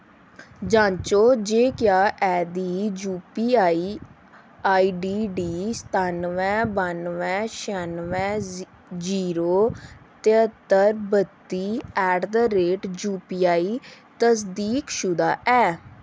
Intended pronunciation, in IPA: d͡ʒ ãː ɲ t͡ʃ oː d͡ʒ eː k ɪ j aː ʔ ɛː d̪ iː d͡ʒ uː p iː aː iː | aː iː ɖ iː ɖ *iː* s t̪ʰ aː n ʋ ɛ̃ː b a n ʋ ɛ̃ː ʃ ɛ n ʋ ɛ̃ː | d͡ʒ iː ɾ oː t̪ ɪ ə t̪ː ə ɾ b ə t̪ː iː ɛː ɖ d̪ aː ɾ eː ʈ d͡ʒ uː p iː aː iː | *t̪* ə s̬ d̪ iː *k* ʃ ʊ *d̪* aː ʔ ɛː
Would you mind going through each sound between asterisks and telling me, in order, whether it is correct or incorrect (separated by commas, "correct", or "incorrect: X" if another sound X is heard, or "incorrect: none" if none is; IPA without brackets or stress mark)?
correct, correct, correct, correct